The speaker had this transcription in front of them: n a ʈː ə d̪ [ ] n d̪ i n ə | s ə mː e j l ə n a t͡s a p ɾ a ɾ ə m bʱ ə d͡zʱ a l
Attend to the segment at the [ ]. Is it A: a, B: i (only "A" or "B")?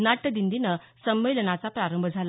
B